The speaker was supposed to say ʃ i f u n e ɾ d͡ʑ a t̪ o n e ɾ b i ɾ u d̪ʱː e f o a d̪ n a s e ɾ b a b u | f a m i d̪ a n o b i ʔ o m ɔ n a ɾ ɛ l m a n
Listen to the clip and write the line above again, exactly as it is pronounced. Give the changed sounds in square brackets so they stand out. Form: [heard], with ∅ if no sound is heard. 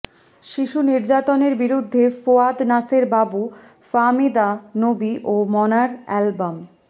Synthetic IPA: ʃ i [ʃ] u n [i] ɾ d͡ʑ a t̪ o n e ɾ b i ɾ u d̪ʱː e f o a d̪ n a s e ɾ b a b u | f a m i d̪ a n o b i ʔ o m ɔ n a ɾ ɛ l [b] a [m]